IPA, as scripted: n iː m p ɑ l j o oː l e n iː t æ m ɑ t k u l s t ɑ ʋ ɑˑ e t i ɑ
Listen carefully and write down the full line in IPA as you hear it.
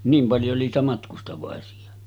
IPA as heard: n iː m p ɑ l j o o l i n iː t æ m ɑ t k u s t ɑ ʋ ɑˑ e s i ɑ